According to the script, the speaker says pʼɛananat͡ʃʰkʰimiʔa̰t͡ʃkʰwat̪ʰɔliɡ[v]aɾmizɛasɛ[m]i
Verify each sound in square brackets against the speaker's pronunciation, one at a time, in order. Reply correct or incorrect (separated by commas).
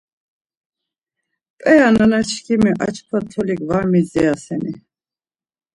correct, incorrect